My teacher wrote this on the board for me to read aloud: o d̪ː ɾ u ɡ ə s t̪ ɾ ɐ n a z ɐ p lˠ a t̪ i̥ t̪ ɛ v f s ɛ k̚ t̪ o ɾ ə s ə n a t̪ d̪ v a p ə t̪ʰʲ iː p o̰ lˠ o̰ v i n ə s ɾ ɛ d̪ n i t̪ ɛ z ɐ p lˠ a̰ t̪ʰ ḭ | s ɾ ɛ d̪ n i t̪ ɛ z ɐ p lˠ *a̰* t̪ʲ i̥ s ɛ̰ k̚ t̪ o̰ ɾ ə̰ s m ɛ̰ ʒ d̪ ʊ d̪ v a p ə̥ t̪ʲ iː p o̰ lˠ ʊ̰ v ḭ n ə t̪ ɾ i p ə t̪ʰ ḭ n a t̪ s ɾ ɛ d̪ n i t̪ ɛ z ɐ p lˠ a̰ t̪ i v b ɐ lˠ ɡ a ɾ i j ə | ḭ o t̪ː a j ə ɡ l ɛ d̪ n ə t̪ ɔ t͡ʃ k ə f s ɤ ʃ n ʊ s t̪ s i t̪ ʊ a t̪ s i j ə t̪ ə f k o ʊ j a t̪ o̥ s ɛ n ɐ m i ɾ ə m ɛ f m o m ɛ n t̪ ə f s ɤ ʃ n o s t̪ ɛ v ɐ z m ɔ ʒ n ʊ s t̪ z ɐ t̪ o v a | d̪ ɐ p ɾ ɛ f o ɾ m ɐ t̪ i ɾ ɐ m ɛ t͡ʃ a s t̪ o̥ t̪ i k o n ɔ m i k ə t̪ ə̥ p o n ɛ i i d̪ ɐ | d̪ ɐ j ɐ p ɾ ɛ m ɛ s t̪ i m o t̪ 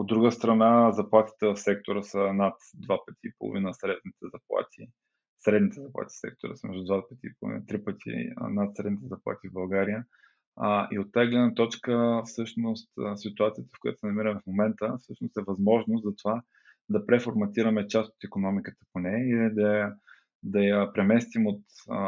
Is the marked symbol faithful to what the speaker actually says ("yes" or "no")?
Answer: yes